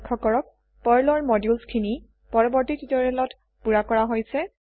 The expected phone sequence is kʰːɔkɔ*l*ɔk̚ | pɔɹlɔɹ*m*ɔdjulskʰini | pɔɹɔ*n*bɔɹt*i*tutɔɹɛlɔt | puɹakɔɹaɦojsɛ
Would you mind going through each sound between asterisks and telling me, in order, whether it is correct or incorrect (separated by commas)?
incorrect, correct, incorrect, correct